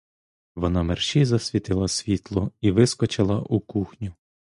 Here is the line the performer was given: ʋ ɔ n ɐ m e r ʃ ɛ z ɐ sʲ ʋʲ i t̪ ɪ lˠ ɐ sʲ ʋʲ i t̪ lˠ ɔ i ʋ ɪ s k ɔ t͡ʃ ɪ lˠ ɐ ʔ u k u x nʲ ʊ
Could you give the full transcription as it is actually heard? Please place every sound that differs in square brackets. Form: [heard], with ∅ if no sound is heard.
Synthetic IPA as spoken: ʋ ɔ n [ɑ] m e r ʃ [i] z ɐ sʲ ʋʲ i t̪ ɪ lˠ ɐ sʲ ʋʲ i t̪ lˠ ɔ i ʋ ɪ s k ɔ t͡ʃ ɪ lˠ ɐ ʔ u k u x nʲ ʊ